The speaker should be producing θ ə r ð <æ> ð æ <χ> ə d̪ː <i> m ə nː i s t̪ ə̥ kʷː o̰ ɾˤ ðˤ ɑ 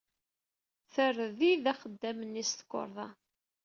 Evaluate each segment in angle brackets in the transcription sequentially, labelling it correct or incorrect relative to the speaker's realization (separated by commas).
incorrect, correct, incorrect